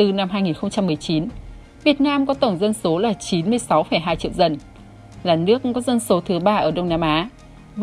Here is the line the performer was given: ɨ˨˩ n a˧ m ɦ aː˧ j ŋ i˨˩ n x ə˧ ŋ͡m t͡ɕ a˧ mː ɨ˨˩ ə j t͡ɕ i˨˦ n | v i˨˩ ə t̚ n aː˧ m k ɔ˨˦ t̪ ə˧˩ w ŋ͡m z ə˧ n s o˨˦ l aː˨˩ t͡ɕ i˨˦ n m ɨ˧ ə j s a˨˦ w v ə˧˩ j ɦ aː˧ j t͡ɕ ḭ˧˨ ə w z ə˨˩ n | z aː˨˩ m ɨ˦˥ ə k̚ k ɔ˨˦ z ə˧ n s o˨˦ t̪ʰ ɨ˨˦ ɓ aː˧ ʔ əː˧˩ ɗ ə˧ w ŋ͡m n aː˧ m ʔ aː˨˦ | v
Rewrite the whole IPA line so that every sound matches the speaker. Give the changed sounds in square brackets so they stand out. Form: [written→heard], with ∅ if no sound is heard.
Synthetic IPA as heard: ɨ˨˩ n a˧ m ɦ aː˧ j ŋ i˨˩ n x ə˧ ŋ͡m t͡ɕ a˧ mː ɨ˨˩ ə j t͡ɕ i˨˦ n | v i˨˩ ə t̚ n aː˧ m k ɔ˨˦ t̪ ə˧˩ w ŋ͡m z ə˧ n s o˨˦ l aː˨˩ t͡ɕ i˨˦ n m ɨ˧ ə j s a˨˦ w [v→f] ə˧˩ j ɦ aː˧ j t͡ɕ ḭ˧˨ ə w z ə˨˩ n | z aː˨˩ [m→n] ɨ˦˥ ə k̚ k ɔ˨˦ z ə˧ n s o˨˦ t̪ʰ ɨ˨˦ ɓ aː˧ ʔ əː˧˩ ɗ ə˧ w ŋ͡m n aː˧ m ʔ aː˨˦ | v

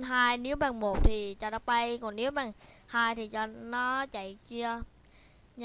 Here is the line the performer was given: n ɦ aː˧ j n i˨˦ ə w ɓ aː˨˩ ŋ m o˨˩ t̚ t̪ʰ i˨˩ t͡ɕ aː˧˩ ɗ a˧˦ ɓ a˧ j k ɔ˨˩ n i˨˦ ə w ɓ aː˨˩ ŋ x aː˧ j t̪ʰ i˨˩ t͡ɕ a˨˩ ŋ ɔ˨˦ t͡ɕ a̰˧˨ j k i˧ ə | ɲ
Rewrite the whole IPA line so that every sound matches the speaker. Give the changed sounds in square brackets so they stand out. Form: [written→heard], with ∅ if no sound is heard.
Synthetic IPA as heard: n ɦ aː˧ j n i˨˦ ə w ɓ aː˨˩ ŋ m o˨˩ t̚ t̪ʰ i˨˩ t͡ɕ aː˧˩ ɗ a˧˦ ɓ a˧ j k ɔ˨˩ n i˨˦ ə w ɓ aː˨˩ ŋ [x→h] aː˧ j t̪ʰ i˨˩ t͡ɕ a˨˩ [ŋ→n] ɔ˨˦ t͡ɕ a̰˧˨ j k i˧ ə | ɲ

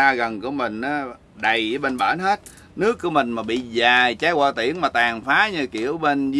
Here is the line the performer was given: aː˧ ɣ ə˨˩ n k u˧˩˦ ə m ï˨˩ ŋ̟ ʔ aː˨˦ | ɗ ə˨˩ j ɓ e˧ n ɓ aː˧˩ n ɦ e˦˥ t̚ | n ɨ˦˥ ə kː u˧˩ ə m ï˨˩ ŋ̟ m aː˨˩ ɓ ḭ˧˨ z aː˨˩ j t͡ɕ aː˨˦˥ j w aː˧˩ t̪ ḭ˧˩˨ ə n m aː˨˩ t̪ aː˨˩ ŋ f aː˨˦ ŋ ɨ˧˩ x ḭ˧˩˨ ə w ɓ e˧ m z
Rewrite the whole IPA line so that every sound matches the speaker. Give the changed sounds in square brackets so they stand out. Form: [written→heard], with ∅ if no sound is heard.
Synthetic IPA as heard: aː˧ ɣ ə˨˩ n k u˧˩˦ ə m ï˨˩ ŋ̟ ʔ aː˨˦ | ɗ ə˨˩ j ɓ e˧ n ɓ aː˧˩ n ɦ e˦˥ t̚ | n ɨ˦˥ ə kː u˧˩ ə m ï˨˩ ŋ̟ m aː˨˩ ɓ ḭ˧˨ z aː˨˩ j t͡ɕ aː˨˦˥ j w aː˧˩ t̪ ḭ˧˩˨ ə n m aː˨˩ t̪ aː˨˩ ŋ f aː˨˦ [ŋ→ɲ] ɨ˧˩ [x→k] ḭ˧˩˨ ə w ɓ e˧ [m→n] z

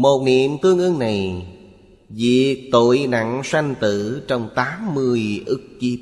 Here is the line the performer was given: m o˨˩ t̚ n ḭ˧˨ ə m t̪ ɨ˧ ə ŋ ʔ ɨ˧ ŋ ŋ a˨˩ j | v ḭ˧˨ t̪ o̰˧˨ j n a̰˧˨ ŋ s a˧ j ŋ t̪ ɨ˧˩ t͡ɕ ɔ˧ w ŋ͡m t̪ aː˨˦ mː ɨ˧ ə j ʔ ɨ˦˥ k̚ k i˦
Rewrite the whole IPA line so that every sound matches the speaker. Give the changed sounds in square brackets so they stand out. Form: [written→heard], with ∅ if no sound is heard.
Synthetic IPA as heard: m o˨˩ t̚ n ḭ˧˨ ə m t̪ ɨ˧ ə ŋ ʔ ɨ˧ ŋ [ŋ→n] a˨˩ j | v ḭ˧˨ t̪ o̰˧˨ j n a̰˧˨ ŋ s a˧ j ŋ t̪ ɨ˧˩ t͡ɕ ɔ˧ w ŋ͡m t̪ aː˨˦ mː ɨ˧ ə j ʔ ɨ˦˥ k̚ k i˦

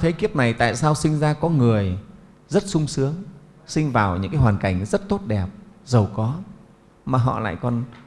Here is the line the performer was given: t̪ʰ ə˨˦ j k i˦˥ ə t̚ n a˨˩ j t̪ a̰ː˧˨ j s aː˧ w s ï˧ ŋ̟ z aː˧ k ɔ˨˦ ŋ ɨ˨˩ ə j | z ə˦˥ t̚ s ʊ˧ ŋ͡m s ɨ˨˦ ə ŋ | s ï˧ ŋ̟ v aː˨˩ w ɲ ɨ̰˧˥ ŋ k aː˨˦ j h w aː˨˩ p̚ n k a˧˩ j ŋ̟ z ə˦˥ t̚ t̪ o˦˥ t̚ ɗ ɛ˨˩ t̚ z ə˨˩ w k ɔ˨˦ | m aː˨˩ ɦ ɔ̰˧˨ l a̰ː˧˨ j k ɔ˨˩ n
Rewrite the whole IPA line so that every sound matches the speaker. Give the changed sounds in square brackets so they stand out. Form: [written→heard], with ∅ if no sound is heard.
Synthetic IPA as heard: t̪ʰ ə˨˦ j k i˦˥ ə [t̚→p̚] n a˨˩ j t̪ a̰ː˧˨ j s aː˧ w s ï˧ ŋ̟ z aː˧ k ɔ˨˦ ŋ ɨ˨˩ ə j | z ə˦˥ t̚ s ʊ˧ ŋ͡m s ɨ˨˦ ə ŋ | s ï˧ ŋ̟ v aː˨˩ w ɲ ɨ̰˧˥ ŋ k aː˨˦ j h w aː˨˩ [p̚→∅] n k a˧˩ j ŋ̟ z ə˦˥ t̚ t̪ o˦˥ t̚ ɗ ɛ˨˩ [t̚→p̚] z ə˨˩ w k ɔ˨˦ | m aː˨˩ ɦ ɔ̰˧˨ l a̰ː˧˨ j k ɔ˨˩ n

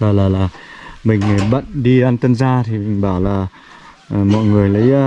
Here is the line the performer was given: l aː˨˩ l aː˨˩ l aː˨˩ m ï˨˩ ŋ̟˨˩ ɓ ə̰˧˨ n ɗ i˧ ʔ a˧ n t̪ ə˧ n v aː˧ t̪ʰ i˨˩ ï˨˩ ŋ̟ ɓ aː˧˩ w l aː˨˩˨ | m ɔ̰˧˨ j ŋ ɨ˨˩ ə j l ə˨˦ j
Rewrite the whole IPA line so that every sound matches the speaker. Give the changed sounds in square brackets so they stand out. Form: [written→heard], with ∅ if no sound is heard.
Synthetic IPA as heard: l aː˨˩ l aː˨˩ l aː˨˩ m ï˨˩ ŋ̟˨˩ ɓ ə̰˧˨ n ɗ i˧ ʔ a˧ n t̪ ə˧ n [v→z] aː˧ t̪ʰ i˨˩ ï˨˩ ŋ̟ ɓ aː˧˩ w l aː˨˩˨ | m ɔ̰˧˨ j ŋ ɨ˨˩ ə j l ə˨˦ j

